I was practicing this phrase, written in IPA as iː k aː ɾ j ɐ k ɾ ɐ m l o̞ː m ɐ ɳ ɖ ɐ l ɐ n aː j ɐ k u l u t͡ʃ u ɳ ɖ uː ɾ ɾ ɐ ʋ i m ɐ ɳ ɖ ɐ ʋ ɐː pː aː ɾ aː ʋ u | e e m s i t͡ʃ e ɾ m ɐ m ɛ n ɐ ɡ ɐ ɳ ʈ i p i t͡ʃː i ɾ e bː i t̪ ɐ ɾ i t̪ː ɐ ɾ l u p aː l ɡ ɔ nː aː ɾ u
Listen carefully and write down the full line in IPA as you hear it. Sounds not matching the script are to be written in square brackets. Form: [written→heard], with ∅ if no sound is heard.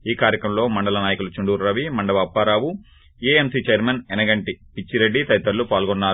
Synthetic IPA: iː k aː ɾ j ɐ k ɾ ɐ m l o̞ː m ɐ ɳ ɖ ɐ l ɐ n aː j ɐ k u l u t͡ʃ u ɳ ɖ uː ɾ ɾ ɐ ʋ i m ɐ ɳ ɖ ɐ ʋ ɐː pː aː ɾ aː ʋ u | e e m s i t͡ʃ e ɾ m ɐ [m→n] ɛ n ɐ ɡ ɐ ɳ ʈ i p i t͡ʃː i ɾ e [bː→ɖː] i t̪ ɐ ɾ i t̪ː ɐ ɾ l u p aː l ɡ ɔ nː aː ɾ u

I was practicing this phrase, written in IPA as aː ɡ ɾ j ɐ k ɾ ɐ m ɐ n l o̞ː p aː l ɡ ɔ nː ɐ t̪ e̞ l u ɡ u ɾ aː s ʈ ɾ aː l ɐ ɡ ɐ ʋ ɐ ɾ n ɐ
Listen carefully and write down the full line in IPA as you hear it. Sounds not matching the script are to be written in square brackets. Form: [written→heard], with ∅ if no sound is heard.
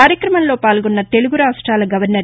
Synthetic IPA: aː [ɡ→∅] ɾ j ɐ k ɾ ɐ m ɐ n l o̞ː p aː l ɡ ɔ nː ɐ t̪ e̞ l u ɡ u ɾ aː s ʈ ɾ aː l ɐ ɡ ɐ ʋ ɐ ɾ n ɐ

